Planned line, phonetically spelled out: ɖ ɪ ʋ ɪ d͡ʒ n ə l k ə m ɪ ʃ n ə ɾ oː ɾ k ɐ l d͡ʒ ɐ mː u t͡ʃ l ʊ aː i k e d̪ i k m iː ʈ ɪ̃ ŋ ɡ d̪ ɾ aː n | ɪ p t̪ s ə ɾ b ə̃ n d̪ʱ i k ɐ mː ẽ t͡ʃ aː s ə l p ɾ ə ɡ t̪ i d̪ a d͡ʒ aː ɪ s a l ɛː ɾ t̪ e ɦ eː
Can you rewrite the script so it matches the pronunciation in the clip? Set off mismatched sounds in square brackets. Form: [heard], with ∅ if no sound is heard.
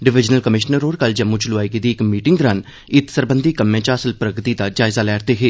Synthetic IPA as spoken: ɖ ɪ ʋ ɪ d͡ʒ n ə l k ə m ɪ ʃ n ə ɾ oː ɾ k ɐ l d͡ʒ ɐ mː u t͡ʃ l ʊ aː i k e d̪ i k m iː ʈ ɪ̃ ŋ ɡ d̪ ɾ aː n | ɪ [∅] t̪ s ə ɾ b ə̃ n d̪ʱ i k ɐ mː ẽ t͡ʃ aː s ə l p ɾ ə ɡ t̪ i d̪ a d͡ʒ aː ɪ [z] a l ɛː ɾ t̪ e ɦ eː